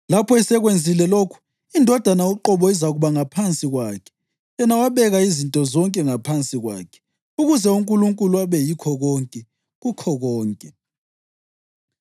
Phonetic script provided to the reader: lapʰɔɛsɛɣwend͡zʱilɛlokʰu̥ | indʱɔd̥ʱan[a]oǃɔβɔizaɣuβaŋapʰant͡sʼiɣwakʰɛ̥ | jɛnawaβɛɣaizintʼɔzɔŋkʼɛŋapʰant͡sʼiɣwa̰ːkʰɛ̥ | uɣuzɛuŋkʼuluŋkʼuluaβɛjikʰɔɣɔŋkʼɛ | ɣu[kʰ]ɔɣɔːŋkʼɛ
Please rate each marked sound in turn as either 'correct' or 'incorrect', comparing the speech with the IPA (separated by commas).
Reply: correct, correct